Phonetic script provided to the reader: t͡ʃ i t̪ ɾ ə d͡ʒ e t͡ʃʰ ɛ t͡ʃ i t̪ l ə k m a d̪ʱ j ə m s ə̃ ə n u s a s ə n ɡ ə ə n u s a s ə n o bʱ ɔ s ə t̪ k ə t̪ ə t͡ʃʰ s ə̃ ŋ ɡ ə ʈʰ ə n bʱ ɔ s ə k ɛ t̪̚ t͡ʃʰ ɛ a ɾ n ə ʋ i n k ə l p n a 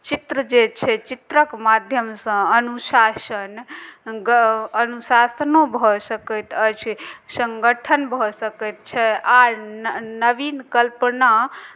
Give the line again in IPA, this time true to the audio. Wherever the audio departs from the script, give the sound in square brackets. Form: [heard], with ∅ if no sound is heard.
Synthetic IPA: t͡ʃ i t̪ ɾ ə d͡ʒ e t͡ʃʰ ɛ t͡ʃ i t̪ [ɾ] ə k m a d̪ʱ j ə m s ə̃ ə n u s a s ə n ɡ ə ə n u s a s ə n o bʱ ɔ s ə [∅] k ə t̪ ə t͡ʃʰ s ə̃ ŋ ɡ ə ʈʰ ə n bʱ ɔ s ə k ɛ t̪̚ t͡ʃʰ ɛ a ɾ n ə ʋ i n k ə l p n a